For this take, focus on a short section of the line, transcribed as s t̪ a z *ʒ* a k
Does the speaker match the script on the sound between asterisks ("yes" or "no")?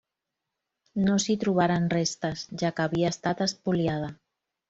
yes